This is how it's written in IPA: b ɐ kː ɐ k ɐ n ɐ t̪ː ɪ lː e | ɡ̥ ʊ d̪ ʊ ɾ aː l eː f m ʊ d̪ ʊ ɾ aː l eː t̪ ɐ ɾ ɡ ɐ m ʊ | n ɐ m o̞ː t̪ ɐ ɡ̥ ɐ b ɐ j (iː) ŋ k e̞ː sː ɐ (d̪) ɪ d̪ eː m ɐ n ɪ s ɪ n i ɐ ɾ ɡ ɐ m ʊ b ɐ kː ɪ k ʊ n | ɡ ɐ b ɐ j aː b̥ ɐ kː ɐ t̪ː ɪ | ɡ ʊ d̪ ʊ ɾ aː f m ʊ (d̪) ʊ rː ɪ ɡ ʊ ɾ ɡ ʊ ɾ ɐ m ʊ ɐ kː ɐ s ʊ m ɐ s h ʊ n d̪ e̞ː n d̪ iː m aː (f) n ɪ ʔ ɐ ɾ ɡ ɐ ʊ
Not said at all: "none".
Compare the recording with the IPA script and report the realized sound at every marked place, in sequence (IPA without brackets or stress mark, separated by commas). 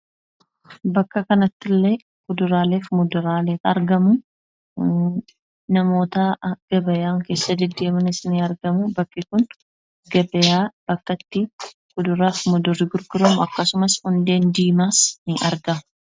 aː, d̪, d̪, s